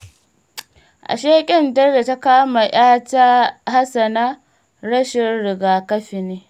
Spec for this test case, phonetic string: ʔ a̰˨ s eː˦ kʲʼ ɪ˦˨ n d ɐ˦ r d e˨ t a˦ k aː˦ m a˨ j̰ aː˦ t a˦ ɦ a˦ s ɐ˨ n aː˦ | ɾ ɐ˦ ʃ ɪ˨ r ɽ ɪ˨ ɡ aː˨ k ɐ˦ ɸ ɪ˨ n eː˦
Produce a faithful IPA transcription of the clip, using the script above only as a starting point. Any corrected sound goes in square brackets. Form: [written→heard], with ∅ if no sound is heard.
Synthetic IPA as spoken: ʔ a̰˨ [s→ʃ] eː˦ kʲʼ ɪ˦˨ n d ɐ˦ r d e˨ t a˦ k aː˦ m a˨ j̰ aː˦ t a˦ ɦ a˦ s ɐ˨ n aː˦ | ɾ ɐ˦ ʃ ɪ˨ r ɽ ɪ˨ ɡ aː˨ k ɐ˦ ɸ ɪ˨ n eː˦